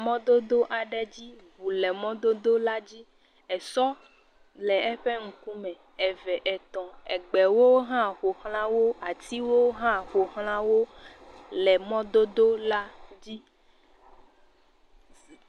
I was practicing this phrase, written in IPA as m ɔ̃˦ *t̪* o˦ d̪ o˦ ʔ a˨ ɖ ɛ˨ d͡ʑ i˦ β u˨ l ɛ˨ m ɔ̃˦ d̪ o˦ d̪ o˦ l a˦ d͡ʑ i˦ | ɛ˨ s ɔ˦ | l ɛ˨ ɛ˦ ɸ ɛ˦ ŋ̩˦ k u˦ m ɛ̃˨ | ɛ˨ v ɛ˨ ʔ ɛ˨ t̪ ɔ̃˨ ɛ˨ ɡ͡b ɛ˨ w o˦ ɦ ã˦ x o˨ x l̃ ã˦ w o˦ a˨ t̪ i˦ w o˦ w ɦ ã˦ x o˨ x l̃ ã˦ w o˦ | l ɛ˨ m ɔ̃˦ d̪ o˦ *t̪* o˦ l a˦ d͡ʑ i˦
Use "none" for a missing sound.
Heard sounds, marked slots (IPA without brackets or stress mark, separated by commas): d̪, d̪